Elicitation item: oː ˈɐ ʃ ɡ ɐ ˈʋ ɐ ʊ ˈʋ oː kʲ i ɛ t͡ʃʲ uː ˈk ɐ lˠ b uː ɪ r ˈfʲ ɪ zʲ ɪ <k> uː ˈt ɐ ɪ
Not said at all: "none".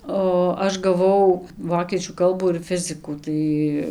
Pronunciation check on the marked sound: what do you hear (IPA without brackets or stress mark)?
k